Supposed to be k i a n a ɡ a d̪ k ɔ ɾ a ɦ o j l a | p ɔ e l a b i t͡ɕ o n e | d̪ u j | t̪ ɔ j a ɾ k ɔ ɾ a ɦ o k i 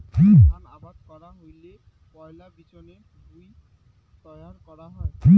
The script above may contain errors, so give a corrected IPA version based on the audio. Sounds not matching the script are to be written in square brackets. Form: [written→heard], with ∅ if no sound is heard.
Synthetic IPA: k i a n a [ɡ→b] a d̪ k ɔ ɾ a ɦ o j l [a→e] | p ɔ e l a b i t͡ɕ o n e | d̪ u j | t̪ ɔ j a ɾ k ɔ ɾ a ɦ [o→ɔ] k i